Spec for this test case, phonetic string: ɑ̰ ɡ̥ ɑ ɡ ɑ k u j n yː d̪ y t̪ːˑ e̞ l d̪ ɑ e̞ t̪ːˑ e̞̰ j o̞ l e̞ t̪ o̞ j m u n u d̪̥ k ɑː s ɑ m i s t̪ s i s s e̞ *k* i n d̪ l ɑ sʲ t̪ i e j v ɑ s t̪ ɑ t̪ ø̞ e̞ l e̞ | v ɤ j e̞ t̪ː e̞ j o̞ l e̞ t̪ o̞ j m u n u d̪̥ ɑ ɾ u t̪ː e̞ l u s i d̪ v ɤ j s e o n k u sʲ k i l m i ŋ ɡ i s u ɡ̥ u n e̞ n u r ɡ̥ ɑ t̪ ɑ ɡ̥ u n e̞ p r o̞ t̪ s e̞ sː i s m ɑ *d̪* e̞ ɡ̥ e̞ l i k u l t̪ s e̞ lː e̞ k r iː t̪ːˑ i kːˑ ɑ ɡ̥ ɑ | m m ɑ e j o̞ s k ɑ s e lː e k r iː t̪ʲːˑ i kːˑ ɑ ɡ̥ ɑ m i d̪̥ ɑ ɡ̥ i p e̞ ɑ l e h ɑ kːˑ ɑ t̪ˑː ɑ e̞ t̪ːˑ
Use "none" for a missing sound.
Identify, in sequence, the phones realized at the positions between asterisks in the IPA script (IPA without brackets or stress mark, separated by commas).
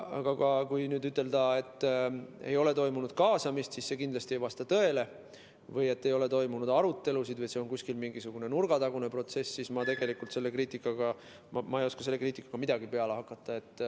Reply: k, t̪